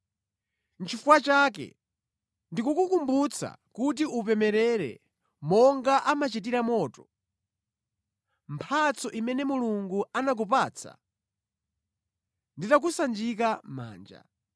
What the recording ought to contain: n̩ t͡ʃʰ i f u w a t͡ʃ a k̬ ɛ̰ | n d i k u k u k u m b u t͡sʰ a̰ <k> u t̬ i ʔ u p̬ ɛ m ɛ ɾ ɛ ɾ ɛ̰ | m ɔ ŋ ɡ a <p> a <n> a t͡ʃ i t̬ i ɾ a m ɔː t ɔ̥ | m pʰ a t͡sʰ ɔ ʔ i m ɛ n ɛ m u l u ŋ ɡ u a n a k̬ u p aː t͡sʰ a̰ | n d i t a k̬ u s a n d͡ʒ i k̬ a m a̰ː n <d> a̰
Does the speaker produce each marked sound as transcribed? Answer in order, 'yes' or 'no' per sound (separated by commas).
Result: yes, no, no, no